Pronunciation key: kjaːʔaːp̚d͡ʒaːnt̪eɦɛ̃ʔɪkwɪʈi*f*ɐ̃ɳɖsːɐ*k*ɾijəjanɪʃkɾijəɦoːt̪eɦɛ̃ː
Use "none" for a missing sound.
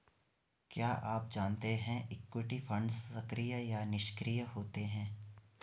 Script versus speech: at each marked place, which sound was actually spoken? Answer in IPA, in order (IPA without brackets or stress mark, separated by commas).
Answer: f, k